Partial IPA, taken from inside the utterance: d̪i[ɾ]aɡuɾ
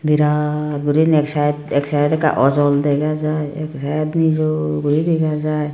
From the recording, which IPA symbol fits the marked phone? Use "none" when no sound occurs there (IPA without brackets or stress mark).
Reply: ɾ